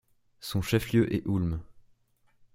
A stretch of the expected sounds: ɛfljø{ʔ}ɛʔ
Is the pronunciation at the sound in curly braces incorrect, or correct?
correct